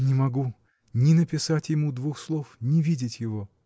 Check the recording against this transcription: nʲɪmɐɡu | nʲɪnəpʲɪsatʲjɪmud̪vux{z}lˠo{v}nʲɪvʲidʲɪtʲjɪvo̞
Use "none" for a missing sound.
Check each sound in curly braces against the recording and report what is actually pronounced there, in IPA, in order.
s, f

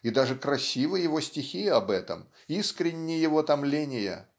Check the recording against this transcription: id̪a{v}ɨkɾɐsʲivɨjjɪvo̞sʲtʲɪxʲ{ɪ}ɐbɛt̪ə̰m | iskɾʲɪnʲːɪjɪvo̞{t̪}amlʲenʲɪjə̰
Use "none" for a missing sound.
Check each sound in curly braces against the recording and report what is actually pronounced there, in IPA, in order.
ʐ, i, t̪

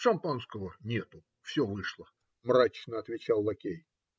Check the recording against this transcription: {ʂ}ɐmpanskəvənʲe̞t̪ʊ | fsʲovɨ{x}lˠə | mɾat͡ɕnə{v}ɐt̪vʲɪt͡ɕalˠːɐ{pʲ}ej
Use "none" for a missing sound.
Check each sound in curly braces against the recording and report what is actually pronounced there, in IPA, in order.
ʂ, ʂ, none, kʲ

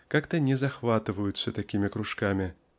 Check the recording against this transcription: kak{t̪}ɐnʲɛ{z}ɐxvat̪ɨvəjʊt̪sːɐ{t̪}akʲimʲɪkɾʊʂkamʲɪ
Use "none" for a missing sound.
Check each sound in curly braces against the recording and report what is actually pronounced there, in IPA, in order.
t̪, z, t̪

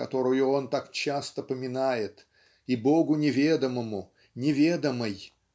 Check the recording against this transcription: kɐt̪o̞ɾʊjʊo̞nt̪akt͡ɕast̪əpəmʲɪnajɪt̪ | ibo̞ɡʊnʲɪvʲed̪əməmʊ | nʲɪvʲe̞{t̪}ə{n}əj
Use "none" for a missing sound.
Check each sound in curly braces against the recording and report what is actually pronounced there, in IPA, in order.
d̪, m

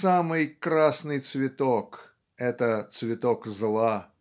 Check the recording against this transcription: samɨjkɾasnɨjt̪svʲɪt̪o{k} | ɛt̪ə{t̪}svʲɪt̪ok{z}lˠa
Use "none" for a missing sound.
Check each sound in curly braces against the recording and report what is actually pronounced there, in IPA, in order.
k, t̪, z

